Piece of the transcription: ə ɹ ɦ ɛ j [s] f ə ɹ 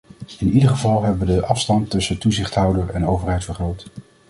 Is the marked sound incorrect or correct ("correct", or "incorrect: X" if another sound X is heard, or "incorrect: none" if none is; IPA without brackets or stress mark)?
incorrect: t